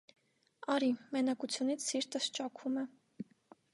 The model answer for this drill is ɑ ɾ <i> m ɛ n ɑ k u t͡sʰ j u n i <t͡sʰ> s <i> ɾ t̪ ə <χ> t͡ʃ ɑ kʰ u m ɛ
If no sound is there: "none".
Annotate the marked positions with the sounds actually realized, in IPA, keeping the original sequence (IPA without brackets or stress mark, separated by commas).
i, t͡sʰ, i, s